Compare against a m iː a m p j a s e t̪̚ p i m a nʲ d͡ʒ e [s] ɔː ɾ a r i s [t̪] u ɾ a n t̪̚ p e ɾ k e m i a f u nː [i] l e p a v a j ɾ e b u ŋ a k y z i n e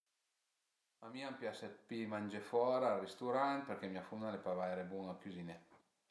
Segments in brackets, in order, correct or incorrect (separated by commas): incorrect, correct, incorrect